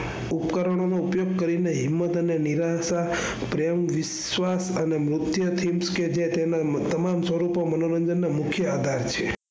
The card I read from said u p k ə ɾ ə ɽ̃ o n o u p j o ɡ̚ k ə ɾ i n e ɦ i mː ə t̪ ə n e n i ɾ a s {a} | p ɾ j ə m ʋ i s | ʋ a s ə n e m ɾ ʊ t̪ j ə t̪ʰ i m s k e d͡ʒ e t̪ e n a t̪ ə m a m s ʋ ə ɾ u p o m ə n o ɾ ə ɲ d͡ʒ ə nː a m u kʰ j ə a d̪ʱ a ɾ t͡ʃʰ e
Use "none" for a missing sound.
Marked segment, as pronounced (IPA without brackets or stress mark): a